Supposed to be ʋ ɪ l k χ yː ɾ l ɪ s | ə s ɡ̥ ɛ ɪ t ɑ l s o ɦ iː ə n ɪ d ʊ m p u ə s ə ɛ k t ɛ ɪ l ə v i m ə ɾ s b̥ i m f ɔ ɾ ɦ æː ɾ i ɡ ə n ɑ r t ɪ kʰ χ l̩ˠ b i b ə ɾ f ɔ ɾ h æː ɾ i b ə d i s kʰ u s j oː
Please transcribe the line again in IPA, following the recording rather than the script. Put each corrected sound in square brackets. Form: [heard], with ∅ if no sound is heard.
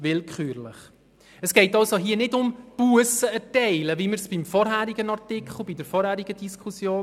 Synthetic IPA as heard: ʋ ɪ l k χ yː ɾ l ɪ [χ] | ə s ɡ̥ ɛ ɪ t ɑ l s o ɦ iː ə n ɪ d ʊ m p u ə s ə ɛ [∅] t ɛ ɪ l ə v i m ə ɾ s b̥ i m f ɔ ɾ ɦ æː ɾ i ɡ ə n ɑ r t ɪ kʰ χ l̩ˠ b i [d] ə ɾ f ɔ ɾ h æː ɾ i [ɡ] ə d i s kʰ u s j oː